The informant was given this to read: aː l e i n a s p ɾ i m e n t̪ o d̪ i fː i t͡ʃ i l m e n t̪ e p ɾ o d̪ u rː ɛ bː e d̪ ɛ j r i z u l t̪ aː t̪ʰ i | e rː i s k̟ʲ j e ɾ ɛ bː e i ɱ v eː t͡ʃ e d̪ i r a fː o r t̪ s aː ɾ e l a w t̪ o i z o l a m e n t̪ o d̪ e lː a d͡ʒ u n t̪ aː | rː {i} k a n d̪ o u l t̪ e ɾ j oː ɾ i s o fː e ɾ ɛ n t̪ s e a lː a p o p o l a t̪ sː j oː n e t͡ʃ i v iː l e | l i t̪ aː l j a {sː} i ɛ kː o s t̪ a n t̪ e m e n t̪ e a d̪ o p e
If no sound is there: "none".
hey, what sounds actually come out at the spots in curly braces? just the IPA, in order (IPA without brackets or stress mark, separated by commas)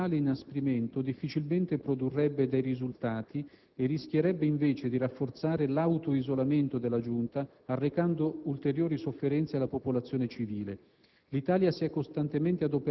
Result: e, s